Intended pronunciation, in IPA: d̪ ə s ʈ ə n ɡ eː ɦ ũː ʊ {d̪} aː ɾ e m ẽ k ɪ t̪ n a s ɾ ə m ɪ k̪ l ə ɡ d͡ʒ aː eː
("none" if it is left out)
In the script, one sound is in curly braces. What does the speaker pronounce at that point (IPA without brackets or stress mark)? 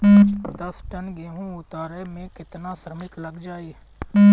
t̪